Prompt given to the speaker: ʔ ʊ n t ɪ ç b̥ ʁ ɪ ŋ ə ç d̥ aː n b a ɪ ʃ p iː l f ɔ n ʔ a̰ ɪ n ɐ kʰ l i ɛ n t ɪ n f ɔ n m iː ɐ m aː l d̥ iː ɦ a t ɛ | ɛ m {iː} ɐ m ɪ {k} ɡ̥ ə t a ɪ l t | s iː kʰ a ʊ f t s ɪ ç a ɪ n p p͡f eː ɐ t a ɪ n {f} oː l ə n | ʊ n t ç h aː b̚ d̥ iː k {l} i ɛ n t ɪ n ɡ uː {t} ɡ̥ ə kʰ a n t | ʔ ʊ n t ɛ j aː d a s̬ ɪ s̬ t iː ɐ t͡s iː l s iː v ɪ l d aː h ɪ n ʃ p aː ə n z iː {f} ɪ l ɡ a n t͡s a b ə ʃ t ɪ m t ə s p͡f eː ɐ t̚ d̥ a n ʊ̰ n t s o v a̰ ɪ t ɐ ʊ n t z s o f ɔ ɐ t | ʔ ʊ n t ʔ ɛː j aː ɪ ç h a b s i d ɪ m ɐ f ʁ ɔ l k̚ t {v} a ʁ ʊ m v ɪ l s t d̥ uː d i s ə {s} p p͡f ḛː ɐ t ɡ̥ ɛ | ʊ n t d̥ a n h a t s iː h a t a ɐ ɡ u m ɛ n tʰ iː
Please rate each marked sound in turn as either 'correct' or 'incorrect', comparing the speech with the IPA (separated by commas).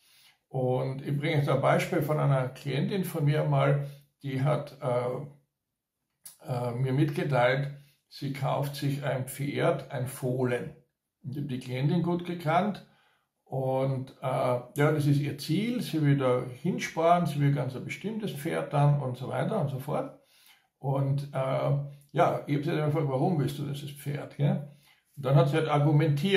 correct, incorrect, correct, correct, correct, incorrect, correct, correct